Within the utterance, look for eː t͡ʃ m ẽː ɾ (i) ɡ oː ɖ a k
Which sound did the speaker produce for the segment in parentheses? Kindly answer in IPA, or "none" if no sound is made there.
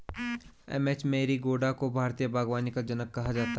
i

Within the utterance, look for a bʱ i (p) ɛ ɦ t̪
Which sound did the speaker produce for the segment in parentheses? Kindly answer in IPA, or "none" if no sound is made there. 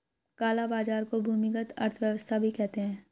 k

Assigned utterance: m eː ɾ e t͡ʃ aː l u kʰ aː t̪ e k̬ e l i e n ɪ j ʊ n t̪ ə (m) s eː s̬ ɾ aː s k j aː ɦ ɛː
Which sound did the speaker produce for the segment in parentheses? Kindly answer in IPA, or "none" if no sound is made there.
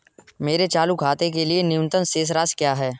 n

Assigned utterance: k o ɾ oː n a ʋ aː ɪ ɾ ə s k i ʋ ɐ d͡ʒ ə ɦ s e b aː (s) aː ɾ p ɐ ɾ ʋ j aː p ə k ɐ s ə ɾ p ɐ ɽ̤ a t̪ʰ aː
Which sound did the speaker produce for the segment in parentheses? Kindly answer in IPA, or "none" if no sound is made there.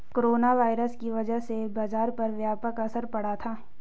z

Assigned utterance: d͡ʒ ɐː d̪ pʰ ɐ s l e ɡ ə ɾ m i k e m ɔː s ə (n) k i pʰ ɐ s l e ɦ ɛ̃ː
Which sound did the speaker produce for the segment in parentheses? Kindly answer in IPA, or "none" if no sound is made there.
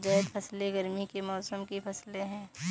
m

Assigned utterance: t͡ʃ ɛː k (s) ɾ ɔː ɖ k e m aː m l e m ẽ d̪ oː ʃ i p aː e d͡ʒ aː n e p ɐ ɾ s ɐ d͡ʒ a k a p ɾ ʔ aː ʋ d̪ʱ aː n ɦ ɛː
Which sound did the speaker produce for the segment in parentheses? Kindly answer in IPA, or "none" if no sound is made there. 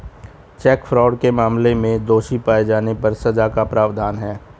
f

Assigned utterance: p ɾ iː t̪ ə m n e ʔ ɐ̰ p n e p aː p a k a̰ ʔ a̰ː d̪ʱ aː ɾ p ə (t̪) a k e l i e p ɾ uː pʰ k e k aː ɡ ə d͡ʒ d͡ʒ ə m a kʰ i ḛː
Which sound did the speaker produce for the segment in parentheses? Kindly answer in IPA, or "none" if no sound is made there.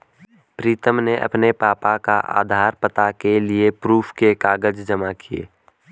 t̪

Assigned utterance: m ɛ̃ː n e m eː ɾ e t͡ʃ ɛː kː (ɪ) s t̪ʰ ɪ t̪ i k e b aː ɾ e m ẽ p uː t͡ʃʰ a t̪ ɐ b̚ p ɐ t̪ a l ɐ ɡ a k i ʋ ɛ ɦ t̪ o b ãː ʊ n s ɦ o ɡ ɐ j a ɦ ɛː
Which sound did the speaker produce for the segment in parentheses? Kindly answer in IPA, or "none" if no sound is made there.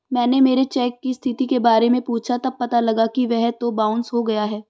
i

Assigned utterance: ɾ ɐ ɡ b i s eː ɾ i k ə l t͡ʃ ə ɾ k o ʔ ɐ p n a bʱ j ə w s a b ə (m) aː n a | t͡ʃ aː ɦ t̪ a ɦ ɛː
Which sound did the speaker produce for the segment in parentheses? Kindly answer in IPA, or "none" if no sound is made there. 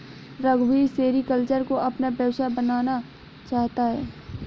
n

